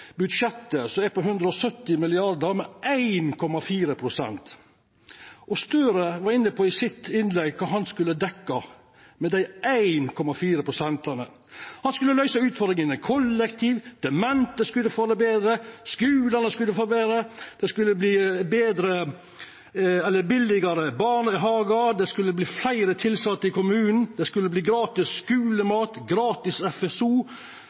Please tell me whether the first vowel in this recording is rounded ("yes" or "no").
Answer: yes